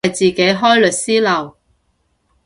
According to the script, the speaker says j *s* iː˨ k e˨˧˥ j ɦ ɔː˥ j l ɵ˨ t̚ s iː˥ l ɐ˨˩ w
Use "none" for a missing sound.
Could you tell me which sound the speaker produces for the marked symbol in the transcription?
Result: t͡s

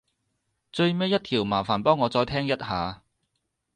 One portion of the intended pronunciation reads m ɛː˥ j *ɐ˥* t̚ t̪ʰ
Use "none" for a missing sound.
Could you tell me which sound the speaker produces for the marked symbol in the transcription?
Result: ɐ˥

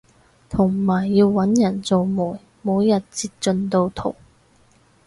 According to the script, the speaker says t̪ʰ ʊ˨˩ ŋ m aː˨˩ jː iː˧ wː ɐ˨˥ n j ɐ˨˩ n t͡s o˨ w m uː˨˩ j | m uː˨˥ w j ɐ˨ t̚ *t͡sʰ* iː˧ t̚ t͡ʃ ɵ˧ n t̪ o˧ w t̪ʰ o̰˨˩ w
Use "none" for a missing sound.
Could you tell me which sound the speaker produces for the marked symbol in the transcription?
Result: t͡s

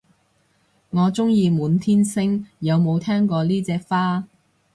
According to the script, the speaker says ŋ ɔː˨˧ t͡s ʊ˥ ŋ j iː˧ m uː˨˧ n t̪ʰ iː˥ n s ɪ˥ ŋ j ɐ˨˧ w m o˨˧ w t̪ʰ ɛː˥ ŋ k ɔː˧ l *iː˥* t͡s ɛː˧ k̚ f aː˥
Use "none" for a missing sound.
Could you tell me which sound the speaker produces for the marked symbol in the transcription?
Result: iː˥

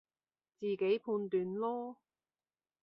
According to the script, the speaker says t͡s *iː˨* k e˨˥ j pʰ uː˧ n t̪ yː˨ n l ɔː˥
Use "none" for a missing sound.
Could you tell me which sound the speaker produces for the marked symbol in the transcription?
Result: iː˨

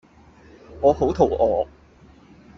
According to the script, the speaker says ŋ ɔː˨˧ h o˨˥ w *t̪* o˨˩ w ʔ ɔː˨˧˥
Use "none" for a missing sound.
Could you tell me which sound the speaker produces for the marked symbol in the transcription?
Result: t̪ʰ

